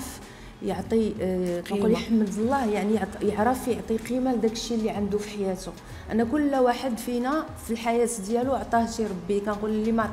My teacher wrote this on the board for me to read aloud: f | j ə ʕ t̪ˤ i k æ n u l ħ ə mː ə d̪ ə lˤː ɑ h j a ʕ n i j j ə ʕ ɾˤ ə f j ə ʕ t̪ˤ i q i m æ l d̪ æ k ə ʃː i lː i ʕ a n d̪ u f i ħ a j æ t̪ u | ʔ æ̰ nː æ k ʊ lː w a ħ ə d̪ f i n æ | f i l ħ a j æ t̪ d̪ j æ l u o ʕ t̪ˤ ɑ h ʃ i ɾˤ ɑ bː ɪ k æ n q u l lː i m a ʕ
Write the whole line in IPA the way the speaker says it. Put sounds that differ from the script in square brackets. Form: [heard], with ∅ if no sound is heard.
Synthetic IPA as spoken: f | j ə ʕ t̪ˤ i k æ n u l ħ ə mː ə d̪ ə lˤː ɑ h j a ʕ n i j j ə ʕ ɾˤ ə f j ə ʕ t̪ˤ i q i m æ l d̪ æ k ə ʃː i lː i ʕ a n d̪ u f i ħ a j æ t̪ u | ʔ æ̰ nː æ k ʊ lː w a ħ ə d̪ f i n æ | f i l ħ a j æ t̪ d̪ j æ l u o ʕ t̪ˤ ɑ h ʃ i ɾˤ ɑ bː [i] k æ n q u l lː i m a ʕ